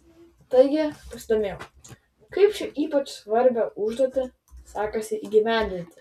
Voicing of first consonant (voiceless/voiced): voiceless